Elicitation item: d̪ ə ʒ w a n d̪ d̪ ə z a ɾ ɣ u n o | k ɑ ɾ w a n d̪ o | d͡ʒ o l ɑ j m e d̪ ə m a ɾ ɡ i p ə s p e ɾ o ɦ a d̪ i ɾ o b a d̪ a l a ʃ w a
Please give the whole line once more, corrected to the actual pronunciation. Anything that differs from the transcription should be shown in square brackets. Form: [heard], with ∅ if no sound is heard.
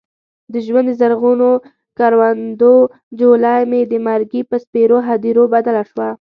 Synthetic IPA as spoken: d̪ ə ʒ w a n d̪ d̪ ə z a ɾ ɣ u n o | k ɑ ɾ w a n d̪ o | d͡ʒ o l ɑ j m e d̪ ə m a ɾ ɡ i p ə s p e ɾ o ɦ a d̪ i ɾ o b a d̪ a l a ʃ w a